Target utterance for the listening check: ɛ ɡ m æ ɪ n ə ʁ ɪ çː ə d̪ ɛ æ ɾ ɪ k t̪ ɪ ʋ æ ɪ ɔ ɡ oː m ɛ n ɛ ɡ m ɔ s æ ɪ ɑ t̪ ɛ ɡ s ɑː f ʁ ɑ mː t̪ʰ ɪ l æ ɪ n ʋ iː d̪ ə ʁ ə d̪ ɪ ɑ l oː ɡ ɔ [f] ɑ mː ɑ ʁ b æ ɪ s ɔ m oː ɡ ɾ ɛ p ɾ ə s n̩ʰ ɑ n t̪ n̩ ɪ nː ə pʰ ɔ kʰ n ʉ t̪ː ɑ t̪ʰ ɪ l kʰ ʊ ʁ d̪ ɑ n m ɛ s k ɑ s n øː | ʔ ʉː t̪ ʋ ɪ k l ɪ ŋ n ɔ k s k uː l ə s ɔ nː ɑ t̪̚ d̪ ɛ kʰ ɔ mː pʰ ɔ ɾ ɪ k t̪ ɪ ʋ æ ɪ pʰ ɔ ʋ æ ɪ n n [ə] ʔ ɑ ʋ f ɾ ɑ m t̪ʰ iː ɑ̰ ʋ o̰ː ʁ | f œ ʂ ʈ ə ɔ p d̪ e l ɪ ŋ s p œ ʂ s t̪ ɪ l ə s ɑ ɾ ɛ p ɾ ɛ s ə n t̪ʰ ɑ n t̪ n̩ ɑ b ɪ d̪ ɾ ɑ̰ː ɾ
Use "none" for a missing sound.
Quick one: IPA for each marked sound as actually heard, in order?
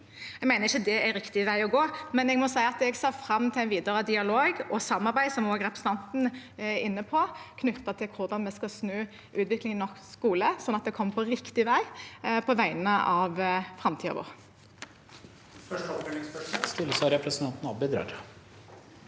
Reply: s, ə

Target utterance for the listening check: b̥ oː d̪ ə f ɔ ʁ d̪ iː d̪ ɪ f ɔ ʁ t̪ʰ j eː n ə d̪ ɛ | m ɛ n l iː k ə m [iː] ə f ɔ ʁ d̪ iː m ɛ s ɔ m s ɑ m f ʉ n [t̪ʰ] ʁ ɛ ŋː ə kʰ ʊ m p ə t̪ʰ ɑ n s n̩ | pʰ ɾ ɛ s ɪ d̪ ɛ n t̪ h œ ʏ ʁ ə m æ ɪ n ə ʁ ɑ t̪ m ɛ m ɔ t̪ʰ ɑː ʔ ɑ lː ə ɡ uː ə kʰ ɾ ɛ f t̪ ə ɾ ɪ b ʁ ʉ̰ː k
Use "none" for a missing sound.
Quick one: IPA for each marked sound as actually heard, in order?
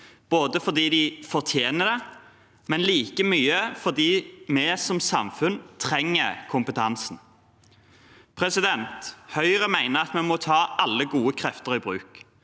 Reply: yː, t̪ʰ

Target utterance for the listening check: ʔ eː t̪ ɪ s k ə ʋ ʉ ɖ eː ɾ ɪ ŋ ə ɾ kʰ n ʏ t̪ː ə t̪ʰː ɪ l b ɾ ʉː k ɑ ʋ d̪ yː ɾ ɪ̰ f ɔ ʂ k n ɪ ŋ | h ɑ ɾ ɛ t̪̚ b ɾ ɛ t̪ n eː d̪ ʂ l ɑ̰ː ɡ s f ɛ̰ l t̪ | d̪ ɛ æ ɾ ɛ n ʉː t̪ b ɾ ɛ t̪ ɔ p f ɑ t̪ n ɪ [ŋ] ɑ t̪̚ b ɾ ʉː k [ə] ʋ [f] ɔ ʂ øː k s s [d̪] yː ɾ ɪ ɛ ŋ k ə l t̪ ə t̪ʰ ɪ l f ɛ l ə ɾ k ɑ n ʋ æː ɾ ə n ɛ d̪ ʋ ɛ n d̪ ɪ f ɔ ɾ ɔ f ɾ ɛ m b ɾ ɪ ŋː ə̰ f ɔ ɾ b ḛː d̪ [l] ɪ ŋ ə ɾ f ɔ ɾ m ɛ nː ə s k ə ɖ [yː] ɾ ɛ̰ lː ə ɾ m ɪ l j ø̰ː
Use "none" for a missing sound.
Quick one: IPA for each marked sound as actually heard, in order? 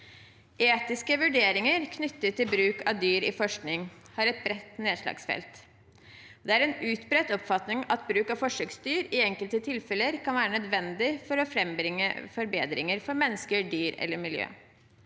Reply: ŋ, ɑ, f, t̪, ɾ, yː

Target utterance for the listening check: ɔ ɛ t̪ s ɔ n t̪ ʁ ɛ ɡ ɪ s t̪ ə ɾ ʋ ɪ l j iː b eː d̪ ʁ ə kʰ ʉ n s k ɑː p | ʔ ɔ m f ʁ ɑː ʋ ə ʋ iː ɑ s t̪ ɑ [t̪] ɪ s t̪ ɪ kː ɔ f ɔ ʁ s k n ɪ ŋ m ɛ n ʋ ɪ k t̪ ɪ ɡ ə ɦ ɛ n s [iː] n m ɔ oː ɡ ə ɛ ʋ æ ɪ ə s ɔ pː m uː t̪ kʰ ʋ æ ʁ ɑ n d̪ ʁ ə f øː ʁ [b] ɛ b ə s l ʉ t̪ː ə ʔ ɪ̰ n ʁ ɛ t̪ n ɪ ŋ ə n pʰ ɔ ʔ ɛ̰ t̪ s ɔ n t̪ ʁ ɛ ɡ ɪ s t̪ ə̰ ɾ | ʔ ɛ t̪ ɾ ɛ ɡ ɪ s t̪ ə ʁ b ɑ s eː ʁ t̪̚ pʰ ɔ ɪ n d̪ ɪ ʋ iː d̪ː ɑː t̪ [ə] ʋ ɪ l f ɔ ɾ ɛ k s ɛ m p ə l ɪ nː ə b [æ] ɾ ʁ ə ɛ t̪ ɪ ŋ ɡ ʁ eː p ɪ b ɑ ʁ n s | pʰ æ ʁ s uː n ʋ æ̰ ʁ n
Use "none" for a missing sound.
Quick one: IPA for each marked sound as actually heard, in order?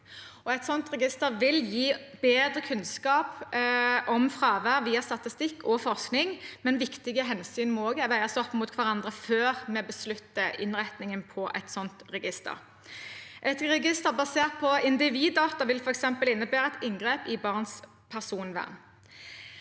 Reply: t̪, yː, m, ɑ, æː

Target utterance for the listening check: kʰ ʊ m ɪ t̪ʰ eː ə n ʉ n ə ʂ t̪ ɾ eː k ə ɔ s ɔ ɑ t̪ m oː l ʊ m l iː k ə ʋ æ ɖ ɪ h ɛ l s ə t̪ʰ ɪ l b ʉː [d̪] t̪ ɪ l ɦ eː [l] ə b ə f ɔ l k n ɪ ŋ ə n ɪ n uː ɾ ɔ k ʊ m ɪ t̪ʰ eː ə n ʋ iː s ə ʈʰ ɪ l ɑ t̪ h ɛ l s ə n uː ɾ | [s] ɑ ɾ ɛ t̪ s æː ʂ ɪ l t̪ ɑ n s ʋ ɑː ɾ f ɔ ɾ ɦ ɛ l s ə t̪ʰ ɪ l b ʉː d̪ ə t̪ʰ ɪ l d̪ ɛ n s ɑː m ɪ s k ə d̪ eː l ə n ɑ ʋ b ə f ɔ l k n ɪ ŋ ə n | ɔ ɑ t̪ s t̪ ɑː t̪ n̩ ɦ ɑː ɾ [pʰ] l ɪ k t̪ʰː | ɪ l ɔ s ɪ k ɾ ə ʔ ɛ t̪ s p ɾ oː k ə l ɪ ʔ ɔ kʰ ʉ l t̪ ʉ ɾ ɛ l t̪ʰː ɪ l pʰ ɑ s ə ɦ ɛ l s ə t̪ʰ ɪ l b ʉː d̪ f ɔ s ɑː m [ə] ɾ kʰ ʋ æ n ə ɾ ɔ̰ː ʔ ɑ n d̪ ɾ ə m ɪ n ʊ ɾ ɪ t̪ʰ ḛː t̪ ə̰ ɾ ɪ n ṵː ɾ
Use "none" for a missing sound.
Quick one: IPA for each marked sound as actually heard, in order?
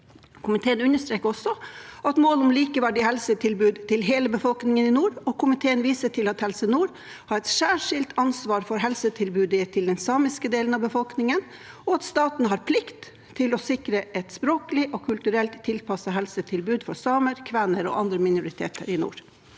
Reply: d̪, l, h, pʰ, ə

